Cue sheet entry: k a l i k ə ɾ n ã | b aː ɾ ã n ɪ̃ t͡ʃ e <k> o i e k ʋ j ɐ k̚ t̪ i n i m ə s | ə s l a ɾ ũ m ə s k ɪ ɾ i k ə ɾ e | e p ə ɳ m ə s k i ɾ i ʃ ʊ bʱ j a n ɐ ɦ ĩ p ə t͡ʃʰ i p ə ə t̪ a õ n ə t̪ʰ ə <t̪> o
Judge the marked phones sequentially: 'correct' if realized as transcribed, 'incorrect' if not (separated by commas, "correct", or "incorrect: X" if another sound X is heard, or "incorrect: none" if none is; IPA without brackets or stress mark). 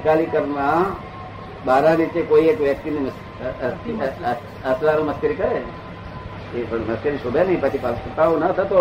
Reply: correct, correct